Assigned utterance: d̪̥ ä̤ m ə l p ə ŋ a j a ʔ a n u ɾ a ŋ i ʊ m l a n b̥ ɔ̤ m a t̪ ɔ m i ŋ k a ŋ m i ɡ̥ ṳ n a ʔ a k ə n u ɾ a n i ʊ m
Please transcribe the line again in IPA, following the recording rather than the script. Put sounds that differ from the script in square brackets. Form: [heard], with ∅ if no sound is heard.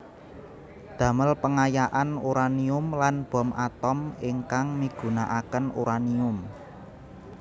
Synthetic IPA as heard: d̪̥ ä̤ m ə l p ə ŋ a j a ʔ a n u ɾ a [n] i ʊ m l a n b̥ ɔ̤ m a t̪ ɔ m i ŋ k a ŋ m i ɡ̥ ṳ n a ʔ a k ə n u ɾ a n i ʊ m